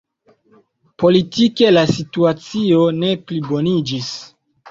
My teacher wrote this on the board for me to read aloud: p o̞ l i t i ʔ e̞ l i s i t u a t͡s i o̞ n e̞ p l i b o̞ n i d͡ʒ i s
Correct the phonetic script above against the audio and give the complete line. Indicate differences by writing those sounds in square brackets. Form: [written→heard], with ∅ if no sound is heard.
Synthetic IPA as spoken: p o̞ l i t i [ʔ→k] e̞ l [i→a] s i t u a t͡s i o̞ n e̞ p l i b o̞ n i d͡ʒ i s